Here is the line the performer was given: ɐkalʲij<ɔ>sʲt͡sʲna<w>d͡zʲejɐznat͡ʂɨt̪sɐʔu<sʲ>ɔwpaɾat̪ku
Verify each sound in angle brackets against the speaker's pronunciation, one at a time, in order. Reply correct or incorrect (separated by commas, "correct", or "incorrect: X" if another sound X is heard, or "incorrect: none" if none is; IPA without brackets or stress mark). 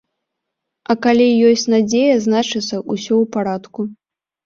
correct, incorrect: none, correct